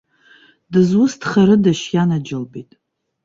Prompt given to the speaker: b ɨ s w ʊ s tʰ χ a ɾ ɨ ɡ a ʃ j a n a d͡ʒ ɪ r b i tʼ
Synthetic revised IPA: d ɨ z w ʊ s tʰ χ a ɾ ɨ d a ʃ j a n a d͡ʒ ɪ l b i tʼ